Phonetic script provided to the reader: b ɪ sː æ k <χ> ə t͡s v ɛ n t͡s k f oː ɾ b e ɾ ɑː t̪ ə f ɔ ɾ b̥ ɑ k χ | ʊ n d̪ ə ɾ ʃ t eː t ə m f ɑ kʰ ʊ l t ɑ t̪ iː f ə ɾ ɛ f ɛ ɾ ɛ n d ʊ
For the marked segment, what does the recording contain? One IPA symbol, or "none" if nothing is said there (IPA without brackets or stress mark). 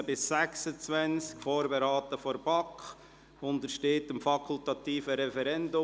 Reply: s